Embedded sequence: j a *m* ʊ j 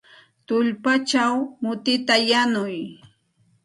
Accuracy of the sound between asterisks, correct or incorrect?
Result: incorrect